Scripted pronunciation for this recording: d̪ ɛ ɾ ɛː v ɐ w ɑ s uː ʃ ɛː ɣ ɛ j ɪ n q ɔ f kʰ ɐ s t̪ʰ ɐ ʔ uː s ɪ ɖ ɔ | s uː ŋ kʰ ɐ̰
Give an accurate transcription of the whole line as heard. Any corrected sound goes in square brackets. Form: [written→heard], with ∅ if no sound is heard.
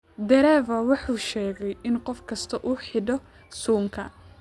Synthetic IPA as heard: d̪ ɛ ɾ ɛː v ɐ w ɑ [s→ħ] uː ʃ ɛː ɣ ɛ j ɪ n q ɔ f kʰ ɐ s t̪ʰ ɐ ʔ uː [s→ħ] ɪ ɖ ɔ | s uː ŋ kʰ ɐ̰